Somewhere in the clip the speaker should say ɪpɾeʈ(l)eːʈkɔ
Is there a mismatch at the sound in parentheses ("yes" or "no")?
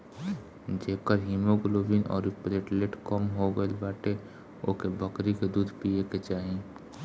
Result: no